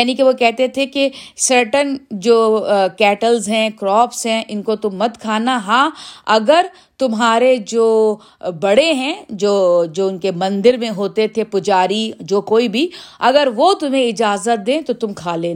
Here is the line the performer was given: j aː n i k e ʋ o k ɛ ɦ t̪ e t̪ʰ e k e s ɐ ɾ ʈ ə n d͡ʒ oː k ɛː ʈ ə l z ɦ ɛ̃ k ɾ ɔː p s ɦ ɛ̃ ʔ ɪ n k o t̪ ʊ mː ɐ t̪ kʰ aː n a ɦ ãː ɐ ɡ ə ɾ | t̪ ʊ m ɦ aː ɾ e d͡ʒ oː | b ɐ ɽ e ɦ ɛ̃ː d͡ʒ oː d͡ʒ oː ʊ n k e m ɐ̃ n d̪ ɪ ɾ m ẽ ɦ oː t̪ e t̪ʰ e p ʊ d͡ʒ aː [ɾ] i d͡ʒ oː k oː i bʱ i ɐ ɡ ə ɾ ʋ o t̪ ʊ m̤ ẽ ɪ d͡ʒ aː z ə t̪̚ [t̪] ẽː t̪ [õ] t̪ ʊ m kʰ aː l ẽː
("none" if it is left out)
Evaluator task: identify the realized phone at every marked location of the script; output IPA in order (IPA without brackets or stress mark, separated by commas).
ɾ, d̪, o